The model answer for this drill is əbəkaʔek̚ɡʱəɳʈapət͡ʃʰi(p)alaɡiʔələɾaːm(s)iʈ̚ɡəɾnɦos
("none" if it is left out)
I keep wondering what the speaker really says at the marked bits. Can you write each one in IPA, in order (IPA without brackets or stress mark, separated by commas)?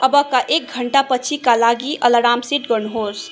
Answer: k, s